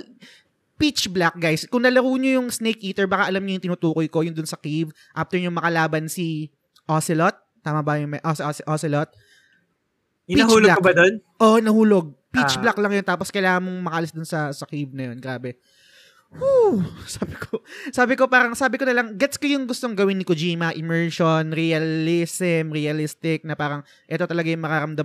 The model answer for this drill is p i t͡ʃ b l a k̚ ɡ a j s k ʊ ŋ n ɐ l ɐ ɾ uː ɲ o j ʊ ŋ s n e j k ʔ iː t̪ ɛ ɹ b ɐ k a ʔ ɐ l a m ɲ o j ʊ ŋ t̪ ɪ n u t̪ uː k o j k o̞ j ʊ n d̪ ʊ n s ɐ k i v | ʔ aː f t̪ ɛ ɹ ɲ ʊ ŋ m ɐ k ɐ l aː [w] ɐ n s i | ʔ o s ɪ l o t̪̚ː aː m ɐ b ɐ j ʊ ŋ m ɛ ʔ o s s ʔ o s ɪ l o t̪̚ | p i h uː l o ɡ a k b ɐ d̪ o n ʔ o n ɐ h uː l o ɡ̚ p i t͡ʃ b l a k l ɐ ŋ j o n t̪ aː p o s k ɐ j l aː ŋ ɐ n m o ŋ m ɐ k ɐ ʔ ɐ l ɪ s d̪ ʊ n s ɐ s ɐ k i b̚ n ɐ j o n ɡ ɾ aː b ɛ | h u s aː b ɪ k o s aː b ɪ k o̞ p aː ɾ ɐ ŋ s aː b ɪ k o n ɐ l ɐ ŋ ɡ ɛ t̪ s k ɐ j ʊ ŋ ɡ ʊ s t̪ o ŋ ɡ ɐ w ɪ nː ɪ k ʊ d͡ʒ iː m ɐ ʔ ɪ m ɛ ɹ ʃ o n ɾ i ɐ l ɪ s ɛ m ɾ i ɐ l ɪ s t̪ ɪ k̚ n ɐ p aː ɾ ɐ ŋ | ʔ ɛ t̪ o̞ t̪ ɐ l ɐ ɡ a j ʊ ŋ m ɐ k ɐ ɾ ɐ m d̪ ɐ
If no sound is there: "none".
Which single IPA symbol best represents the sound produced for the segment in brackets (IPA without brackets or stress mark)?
b